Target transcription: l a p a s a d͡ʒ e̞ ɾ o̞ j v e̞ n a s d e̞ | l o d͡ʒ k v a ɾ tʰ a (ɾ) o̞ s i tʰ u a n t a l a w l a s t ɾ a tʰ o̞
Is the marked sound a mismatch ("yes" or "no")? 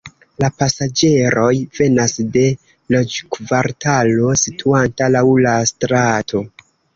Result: yes